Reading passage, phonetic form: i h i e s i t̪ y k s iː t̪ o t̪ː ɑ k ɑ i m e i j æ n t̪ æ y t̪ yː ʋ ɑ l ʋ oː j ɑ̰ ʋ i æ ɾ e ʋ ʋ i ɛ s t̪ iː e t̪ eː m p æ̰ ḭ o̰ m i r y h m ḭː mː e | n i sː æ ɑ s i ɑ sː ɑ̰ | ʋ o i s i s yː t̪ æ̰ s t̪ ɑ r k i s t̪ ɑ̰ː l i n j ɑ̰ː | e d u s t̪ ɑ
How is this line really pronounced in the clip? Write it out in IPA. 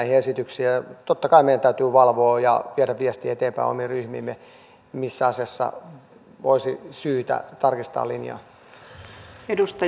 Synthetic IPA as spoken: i h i e s i t̪ y k s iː t̪ o t̪ː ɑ k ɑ i m e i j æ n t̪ æ y t̪ yː ʋ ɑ l ʋ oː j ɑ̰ ʋ i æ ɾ æ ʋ ʋ i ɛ s t̪ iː e t̪ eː m p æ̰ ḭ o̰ m i r y h m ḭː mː e | m i sː æ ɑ s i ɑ sː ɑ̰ | ʋ o i s i s yː t̪ æ̰ t̪ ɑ r k i s t̪ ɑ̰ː l i n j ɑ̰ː | e d u s t̪ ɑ